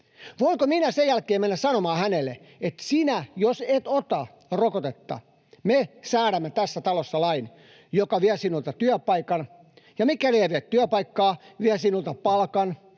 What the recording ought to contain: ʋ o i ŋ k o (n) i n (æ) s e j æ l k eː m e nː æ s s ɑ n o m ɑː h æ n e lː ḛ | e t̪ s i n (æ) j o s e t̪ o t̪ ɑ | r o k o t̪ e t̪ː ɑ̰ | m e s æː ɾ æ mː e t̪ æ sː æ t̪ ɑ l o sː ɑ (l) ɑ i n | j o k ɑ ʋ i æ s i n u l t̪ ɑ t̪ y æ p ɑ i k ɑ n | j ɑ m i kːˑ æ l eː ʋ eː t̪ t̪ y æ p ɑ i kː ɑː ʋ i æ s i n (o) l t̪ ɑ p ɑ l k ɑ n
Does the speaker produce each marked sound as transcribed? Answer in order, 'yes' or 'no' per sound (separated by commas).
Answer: no, yes, yes, yes, no